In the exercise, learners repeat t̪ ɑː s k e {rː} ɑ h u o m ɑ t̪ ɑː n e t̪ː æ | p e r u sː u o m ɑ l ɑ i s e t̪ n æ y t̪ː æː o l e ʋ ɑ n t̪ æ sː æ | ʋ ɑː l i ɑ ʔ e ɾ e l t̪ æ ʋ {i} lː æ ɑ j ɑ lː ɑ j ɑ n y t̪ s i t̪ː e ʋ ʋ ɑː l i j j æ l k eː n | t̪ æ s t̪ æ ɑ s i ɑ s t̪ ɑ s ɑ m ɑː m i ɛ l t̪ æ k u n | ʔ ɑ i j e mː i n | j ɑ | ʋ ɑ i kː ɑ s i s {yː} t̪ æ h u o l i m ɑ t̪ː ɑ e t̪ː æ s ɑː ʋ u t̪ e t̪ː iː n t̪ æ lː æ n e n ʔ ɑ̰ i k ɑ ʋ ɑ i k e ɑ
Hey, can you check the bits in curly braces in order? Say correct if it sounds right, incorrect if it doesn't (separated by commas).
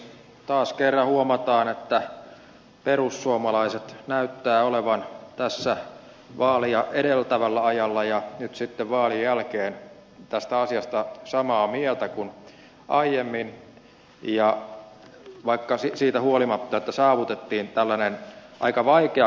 correct, incorrect, incorrect